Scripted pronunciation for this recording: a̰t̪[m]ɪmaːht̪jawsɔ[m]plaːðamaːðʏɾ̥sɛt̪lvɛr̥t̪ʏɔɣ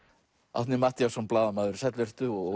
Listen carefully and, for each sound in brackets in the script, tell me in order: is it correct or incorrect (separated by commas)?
incorrect, incorrect